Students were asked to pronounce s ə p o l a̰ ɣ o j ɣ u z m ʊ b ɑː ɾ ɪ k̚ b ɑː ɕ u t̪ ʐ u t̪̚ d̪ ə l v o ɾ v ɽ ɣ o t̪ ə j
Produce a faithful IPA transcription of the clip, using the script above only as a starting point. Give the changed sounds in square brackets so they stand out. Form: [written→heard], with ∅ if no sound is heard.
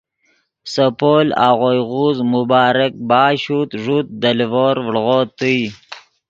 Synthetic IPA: s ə p o l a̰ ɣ o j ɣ u z m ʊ b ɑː ɾ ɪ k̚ b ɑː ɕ u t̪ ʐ u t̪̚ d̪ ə l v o ɾ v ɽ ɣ o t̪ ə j